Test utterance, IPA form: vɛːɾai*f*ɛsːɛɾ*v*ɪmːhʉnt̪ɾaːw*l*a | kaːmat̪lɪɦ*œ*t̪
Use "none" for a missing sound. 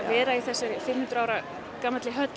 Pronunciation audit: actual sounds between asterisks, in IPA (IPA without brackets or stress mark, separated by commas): θ, f, ɾ, œ